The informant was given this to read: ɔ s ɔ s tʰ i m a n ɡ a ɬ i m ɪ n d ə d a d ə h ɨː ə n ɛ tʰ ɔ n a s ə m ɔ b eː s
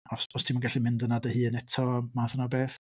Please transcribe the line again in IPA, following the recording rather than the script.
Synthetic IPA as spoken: ɔ s ɔ s tʰ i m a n ɡ a ɬ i m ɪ n d ə n a d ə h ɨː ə n ɛ tʰ ɔ m a θ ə n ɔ b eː θ